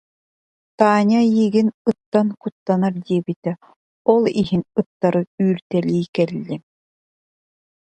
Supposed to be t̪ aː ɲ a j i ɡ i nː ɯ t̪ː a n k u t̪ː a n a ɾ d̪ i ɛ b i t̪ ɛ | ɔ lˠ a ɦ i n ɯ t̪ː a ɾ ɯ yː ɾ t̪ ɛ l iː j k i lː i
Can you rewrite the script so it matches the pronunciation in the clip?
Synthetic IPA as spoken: t̪ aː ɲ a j i ɡ i n ɯ t̪ː a n k u t̪ː a n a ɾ d̪ i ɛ b i t̪ ɛ | ɔ lˠ i ɦ i n ɯ t̪ː a ɾ ɯ yː ɾ t̪ ɛ l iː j k ɛ lː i